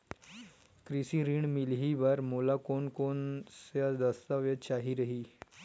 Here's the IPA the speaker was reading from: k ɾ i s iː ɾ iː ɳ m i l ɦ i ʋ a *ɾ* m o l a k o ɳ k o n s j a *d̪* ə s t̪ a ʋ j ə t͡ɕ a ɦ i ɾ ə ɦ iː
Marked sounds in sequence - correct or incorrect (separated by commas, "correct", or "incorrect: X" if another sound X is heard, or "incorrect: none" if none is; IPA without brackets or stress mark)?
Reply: correct, correct